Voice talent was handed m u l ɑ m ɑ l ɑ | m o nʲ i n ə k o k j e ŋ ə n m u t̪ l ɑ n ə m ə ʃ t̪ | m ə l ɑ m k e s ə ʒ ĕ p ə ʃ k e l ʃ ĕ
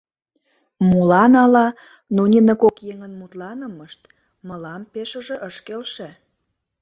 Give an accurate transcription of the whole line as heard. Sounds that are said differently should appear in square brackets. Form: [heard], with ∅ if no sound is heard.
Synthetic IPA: m u l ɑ [n] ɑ l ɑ | [n] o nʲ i n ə k o k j e ŋ ə n m u t̪ l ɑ n ə m ə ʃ t̪ | m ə l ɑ m [p] e [ʃ] ə ʒ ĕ [ʔ] ə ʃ k e l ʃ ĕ